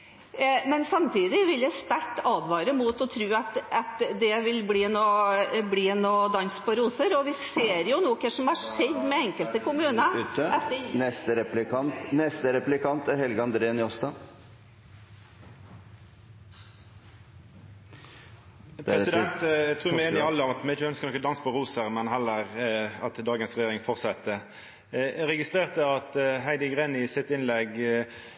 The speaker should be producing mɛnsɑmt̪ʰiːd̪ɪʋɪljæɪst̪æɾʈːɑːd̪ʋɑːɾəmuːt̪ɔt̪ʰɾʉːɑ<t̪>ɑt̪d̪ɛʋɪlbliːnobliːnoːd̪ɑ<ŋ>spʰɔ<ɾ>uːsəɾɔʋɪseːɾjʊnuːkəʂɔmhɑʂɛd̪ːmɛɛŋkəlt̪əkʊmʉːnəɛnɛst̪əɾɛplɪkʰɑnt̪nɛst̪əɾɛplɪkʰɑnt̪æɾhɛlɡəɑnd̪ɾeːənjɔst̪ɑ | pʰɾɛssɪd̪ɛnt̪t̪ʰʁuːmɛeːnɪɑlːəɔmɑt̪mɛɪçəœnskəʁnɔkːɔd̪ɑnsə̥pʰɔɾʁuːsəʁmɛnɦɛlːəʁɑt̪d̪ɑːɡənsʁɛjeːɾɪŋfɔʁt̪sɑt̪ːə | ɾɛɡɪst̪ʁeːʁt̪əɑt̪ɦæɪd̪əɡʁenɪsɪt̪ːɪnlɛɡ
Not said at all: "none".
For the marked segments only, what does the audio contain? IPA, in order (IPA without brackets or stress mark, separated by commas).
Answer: t̪, n, ɾ